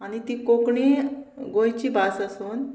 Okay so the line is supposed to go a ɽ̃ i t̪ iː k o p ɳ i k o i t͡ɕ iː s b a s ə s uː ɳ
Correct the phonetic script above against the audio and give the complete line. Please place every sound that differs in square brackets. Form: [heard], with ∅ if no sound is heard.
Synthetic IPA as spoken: a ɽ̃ i t̪ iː k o [k] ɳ i [ɡ] o [j] t͡ɕ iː [∅] b a s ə s uː [n]